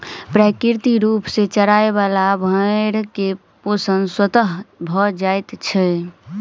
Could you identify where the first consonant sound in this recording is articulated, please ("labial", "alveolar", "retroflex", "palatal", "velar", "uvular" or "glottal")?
labial